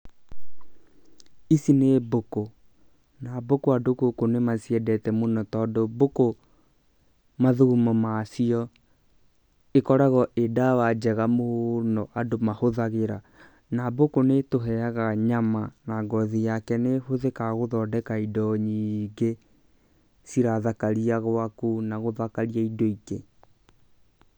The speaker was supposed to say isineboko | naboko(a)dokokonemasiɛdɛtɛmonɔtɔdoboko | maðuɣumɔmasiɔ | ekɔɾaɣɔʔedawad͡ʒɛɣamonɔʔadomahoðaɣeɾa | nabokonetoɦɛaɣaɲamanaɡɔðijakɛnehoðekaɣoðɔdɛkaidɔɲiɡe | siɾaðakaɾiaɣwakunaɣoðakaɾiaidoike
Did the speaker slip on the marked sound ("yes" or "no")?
no